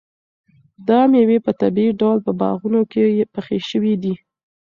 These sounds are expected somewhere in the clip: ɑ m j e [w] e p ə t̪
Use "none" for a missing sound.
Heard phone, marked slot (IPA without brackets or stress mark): w